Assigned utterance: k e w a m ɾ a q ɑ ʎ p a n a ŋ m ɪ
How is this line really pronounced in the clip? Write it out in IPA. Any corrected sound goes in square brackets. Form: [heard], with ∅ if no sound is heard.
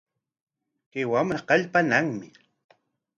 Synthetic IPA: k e w a m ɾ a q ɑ ʎ p a n a ŋ m ɪ